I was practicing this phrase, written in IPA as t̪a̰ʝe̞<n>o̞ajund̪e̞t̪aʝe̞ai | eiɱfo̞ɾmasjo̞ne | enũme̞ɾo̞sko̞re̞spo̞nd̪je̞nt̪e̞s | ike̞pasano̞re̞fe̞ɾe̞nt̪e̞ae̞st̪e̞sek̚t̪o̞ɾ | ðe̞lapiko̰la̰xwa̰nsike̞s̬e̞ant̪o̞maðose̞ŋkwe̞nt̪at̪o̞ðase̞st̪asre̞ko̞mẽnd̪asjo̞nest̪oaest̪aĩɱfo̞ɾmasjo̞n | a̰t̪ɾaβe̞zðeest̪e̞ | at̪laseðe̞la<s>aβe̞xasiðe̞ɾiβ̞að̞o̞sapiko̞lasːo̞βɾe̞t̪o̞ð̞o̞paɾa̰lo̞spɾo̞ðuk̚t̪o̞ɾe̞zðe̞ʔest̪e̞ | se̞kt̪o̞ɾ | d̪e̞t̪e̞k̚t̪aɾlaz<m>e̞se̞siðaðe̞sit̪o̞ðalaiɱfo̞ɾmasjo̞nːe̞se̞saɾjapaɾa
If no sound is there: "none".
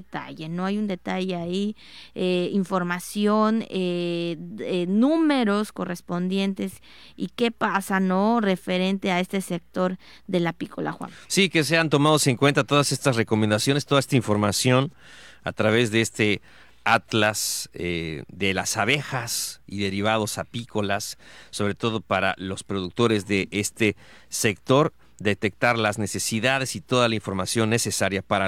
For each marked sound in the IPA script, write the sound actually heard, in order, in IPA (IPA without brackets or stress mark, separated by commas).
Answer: n, s, n